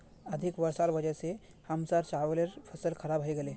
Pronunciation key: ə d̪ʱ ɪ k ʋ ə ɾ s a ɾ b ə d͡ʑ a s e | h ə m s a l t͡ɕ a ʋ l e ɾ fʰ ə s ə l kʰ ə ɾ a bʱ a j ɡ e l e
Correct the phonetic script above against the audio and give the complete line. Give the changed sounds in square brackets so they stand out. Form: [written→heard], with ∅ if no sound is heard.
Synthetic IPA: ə d̪ʱ [ɪ→i] k ʋ ə ɾ s a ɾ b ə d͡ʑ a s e | h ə m s a [l→ɾ] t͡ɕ a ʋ l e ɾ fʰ ə s ə l kʰ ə ɾ a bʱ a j ɡ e l e